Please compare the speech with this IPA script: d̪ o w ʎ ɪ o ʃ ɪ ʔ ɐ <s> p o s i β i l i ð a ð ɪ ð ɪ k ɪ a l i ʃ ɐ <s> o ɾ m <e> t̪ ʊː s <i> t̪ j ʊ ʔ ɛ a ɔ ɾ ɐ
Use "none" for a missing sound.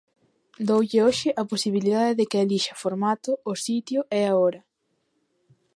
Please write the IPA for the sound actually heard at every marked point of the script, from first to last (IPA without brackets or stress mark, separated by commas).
none, f, a, i